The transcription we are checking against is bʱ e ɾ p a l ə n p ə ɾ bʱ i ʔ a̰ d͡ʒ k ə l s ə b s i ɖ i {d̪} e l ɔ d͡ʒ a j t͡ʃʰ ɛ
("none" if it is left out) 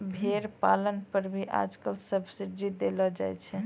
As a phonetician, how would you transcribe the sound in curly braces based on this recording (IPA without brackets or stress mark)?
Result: d̪